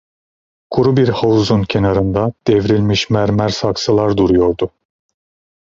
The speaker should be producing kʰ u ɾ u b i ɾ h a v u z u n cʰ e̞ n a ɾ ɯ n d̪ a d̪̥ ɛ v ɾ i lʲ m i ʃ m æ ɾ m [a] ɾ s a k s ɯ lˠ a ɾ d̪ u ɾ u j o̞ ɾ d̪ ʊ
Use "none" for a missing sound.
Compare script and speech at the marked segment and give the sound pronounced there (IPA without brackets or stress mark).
æ